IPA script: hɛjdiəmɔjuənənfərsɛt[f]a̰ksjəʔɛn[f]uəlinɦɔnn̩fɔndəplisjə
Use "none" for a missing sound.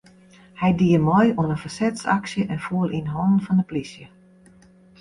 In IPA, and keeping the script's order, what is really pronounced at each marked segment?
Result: s, f

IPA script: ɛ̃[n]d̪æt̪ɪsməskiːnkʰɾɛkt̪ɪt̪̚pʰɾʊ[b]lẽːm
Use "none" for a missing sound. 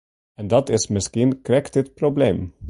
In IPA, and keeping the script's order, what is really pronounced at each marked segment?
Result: n, b

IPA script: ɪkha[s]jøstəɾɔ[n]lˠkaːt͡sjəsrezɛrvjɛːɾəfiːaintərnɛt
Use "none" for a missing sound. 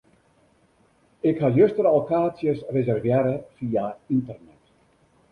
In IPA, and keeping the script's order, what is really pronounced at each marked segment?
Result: none, none

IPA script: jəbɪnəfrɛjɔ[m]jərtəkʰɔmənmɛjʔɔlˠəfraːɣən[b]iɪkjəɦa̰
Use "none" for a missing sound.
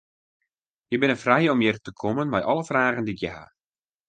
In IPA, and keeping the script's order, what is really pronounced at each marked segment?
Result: m, d

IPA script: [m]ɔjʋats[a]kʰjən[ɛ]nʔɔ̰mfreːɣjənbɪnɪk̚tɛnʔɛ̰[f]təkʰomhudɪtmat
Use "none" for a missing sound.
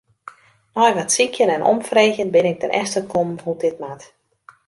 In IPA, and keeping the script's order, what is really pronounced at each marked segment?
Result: n, i, ɛ, s

